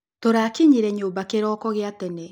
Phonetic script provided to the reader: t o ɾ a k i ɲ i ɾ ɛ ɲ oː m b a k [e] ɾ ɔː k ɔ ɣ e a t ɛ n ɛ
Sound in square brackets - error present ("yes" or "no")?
no